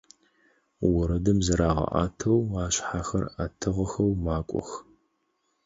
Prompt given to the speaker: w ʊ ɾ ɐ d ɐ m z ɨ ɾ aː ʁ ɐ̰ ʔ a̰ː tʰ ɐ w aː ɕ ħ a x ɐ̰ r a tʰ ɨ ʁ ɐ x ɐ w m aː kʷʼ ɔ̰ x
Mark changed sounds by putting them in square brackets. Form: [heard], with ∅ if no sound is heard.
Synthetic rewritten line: w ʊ ɾ ɐ d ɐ m z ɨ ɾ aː ʁ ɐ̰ ʔ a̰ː tʰ ɐ w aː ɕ ħ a x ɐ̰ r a tʰ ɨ ʁ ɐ x ɐ w m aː kʷʼ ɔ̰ x